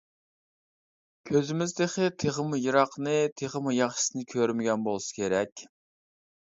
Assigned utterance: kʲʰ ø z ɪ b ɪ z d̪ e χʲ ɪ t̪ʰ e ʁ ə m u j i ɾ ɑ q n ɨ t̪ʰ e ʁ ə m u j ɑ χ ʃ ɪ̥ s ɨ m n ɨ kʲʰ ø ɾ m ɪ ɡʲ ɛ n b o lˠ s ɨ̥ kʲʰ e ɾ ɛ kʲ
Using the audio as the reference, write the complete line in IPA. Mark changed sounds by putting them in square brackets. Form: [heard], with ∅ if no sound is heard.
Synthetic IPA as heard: kʲʰ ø z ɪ [m] ɪ z d̪ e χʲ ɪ t̪ʰ e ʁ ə m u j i ɾ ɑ q n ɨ t̪ʰ e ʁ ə m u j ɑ χ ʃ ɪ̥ s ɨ [∅] n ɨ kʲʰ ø ɾ m ɪ ɡʲ ɛ n b o lˠ s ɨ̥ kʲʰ e ɾ ɛ kʲ